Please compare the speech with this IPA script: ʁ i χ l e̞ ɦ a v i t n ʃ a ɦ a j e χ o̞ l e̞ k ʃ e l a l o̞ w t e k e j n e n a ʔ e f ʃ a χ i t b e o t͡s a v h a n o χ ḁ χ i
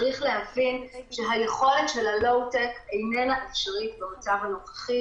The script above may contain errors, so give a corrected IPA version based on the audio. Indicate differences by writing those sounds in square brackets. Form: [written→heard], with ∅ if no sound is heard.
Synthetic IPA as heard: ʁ i χ l e̞ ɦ a v i [t→∅] n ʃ [a→e] ɦ a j e χ o̞ l e̞ [k→t] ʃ e l a l o̞ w t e k e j n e n a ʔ e f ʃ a [χ→ʁ] i t b e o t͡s a v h a n o χ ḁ χ i